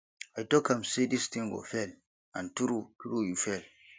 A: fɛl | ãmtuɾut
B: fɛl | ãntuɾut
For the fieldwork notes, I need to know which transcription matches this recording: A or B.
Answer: B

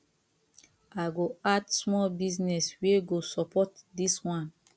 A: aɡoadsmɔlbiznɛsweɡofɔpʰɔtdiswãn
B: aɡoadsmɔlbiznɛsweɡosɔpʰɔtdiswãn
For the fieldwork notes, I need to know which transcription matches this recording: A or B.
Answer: B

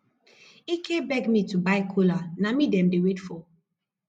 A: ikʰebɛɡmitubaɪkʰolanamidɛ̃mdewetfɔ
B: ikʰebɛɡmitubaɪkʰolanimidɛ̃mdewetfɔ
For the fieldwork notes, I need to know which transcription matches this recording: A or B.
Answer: A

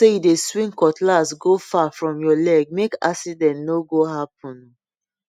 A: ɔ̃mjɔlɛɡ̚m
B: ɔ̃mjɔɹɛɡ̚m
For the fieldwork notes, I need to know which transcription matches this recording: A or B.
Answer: A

